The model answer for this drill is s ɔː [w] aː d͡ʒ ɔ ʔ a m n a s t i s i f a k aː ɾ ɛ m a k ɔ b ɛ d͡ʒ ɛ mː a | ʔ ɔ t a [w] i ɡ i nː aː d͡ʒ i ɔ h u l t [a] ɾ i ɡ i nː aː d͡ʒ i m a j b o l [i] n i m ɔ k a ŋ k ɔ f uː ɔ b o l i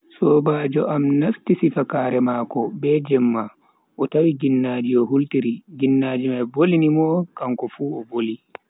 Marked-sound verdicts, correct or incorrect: incorrect: b, correct, incorrect: i, correct

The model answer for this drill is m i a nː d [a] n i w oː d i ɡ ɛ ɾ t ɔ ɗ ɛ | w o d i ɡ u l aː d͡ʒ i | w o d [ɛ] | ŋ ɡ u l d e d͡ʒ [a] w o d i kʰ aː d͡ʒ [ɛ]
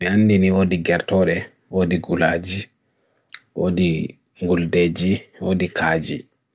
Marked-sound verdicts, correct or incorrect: incorrect: i, incorrect: i, incorrect: i, incorrect: i

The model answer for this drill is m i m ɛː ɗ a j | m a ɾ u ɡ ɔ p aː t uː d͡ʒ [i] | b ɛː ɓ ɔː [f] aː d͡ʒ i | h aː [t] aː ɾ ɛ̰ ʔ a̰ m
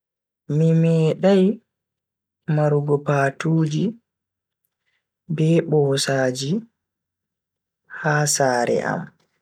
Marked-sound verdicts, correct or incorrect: correct, incorrect: s, incorrect: s

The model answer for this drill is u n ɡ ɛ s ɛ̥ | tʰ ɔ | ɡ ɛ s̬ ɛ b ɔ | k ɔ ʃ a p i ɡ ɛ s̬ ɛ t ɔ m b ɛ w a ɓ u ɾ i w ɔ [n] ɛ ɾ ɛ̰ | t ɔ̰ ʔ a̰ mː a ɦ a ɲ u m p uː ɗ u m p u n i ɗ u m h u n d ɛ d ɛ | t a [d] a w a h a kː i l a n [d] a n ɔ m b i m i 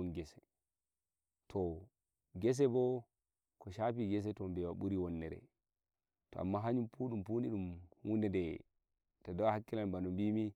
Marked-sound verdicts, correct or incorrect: incorrect: nː, correct, incorrect: b

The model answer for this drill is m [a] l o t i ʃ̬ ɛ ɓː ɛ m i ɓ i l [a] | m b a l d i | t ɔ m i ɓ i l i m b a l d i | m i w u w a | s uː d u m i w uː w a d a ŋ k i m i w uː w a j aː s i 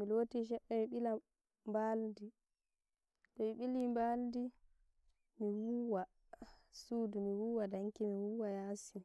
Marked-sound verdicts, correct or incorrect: incorrect: i, correct

